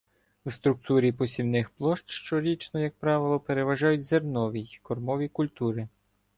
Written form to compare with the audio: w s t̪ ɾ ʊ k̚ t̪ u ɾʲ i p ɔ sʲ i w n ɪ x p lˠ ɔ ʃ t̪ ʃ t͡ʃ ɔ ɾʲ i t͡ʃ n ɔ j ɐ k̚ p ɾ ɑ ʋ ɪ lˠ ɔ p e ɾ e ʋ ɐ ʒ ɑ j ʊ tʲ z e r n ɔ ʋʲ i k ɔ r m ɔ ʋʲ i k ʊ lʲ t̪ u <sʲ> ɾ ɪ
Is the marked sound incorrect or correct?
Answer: incorrect